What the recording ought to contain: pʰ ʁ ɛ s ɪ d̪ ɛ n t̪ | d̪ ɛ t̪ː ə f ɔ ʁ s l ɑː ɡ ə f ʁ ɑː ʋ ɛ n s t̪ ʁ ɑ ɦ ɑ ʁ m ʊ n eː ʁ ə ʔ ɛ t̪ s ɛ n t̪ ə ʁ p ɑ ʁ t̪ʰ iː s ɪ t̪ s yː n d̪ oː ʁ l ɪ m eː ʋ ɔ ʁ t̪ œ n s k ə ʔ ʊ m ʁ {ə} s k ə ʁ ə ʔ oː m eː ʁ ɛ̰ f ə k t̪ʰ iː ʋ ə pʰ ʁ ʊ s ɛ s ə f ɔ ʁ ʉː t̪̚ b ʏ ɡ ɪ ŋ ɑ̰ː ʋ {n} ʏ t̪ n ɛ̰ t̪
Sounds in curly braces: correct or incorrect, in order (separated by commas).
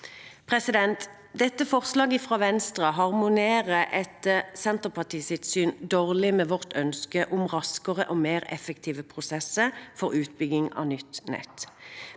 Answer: incorrect, correct